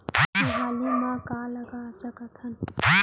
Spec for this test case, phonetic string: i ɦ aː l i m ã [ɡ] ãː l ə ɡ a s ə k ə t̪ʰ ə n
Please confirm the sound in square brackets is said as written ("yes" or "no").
no